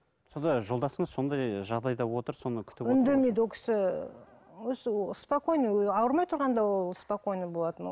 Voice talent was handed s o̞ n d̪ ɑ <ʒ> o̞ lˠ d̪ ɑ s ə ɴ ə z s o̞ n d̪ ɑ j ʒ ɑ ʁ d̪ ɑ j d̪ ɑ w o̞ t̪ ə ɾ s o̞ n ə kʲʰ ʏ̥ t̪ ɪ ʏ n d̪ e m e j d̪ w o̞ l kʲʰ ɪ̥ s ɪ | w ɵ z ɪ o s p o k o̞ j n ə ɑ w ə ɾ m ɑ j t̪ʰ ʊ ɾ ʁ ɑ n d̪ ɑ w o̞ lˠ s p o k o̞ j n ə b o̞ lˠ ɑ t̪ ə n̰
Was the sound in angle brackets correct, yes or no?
yes